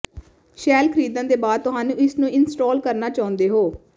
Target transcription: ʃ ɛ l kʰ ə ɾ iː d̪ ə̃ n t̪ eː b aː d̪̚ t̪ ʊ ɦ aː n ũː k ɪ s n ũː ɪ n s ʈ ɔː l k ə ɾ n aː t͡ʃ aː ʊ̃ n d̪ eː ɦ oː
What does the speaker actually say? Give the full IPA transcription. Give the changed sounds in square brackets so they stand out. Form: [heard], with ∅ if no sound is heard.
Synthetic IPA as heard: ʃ [ɛː] l kʰ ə ɾ iː d̪ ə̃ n [d̪] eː b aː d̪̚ t̪ ʊ ɦ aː n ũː [∅] ɪ s n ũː ɪ n s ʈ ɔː l k ə ɾ n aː t͡ʃ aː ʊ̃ n d̪ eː ɦ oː